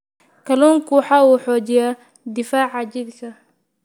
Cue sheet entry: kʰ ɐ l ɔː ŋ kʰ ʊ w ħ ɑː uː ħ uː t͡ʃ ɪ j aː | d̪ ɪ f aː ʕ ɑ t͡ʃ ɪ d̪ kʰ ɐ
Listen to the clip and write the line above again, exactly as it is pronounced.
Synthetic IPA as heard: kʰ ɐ l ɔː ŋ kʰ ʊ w ħ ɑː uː ħ ɔː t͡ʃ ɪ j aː | d̪ ɪ f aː ʕ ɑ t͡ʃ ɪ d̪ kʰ ɐ